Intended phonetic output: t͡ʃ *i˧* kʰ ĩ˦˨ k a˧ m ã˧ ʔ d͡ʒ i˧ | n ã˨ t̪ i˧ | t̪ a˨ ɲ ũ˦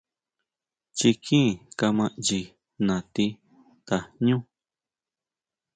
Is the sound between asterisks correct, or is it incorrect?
correct